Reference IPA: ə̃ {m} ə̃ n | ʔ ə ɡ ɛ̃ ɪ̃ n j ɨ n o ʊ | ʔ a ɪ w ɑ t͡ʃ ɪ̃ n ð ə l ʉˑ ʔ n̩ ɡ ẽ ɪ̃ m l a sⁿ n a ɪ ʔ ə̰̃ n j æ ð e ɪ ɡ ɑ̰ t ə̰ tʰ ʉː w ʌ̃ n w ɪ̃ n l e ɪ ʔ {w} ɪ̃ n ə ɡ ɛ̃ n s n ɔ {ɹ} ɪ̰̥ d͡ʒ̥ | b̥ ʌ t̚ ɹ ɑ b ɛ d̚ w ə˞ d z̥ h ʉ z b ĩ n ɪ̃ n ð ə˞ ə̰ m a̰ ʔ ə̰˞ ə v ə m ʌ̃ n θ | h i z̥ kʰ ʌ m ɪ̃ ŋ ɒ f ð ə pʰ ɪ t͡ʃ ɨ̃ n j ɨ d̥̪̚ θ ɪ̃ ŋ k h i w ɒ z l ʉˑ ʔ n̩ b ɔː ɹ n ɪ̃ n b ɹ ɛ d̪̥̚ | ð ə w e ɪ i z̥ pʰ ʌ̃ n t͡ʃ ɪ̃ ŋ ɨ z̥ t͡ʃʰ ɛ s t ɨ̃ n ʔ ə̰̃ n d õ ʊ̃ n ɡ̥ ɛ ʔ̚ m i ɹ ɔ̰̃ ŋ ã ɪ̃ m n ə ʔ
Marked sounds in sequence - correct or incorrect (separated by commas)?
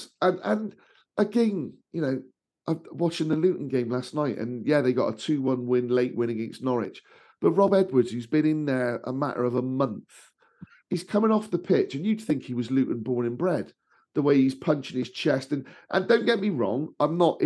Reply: incorrect, correct, correct